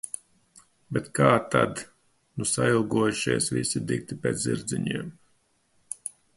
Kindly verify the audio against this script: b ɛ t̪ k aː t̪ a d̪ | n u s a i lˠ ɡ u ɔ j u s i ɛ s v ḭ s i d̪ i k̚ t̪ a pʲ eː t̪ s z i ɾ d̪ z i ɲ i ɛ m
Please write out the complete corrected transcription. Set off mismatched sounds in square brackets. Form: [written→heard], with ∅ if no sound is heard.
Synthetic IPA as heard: b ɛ t̪ k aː t̪ a d̪ | n u s a i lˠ ɡ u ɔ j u [s→ʃ] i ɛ s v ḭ s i d̪ i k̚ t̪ [a→i] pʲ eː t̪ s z i ɾ d̪ z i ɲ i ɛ m